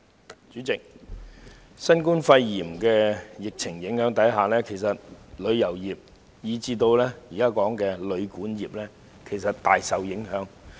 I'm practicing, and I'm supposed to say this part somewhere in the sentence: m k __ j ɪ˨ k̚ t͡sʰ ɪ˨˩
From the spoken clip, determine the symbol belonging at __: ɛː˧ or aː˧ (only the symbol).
ɛː˧